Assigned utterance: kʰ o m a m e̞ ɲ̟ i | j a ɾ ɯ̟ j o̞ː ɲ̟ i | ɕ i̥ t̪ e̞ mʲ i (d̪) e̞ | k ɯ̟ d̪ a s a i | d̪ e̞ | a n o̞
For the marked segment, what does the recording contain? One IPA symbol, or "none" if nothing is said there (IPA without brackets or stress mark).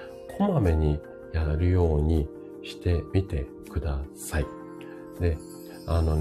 t̪